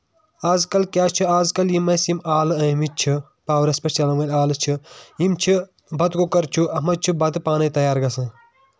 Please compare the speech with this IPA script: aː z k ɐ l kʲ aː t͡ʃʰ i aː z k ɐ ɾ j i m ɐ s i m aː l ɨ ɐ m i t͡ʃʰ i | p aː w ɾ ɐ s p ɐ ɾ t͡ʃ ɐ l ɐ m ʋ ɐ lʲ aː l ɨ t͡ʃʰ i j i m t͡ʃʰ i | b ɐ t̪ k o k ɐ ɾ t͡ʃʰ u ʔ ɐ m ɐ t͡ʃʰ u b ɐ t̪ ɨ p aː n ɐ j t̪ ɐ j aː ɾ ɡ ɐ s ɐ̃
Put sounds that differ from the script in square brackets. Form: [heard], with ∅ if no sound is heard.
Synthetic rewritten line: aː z k ɐ l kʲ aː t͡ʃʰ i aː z k ɐ [l] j i m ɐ s i m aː l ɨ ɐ m i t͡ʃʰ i | p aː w ɾ ɐ s p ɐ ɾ t͡ʃ ɐ l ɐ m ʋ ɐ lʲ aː l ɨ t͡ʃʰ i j i m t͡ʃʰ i | b ɐ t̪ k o k ɐ ɾ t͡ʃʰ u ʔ ɐ m ɐ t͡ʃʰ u b ɐ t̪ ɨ p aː n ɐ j t̪ ɐ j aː ɾ ɡ ɐ s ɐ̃